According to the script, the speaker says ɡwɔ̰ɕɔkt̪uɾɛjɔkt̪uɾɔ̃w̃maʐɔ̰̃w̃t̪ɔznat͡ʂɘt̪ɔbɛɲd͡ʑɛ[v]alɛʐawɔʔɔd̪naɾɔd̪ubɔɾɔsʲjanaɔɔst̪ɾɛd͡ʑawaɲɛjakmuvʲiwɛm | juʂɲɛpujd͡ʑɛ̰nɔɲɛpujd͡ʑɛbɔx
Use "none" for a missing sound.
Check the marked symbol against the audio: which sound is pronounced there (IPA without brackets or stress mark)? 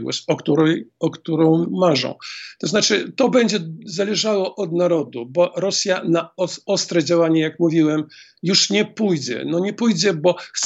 z